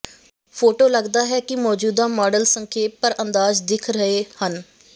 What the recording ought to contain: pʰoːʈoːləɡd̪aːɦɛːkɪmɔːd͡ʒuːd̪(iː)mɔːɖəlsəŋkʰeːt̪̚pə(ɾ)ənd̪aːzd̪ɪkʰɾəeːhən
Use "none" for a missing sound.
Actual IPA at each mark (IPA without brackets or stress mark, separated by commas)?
aː, ɾ